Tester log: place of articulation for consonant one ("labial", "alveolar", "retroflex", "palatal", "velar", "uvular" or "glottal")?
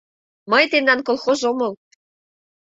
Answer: labial